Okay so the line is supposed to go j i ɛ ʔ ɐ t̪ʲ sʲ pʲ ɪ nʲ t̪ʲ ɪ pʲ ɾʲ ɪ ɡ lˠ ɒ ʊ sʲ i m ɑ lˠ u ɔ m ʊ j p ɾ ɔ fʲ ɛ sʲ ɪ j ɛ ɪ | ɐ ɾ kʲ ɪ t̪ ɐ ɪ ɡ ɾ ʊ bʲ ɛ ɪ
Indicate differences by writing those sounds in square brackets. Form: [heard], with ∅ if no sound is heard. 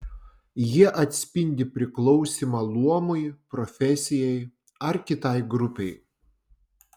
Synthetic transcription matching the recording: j i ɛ ʔ ɐ t̪ʲ sʲ pʲ ɪ nʲ [d̪ʲ] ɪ pʲ ɾʲ ɪ [k] lˠ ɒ ʊ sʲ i m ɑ lˠ u ɔ m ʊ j p ɾ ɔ fʲ ɛ sʲ ɪ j ɛ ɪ | ɐ ɾ kʲ ɪ t̪ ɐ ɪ ɡ ɾ ʊ [pʲ] ɛ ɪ